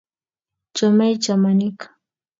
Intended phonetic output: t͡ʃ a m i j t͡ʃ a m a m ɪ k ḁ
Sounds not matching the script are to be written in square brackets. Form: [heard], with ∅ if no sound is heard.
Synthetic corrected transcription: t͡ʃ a m [a] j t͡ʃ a m a [n] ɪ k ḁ

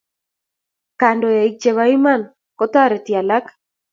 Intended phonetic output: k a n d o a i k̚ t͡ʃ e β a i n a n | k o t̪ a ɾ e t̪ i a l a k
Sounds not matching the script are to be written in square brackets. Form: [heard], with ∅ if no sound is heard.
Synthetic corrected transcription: k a n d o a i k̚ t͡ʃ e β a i [m] a n | k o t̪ a ɾ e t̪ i a l a k

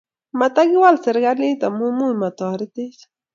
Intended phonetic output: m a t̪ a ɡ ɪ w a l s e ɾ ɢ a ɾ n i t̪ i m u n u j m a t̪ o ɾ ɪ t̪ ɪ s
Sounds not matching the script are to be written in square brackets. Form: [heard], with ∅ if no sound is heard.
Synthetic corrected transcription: m a t̪ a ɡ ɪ w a l s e ɾ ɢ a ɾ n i t̪ [a] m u [m] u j m a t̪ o ɾ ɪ t̪ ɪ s

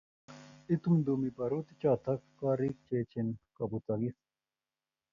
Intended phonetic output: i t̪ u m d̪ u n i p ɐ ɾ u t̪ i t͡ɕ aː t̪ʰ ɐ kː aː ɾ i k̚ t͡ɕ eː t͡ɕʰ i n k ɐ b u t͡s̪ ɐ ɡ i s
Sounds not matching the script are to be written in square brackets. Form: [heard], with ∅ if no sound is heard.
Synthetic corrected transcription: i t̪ u m d̪ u [m] i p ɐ ɾ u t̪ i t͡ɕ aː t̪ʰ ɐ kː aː ɾ i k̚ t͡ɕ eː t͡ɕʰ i n k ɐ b u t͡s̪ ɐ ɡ i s

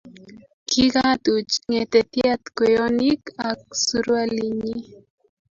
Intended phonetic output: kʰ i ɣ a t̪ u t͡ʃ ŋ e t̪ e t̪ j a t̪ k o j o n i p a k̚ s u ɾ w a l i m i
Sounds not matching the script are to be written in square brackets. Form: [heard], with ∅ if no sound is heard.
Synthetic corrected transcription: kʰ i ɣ a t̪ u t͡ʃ ŋ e t̪ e t̪ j a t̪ k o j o n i [k] a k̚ s u ɾ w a l i [ɲ] i

